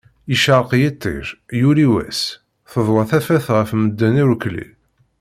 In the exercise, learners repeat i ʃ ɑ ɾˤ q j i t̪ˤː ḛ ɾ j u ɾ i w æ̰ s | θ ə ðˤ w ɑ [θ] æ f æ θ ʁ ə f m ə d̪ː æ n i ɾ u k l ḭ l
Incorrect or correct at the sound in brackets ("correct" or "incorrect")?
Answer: correct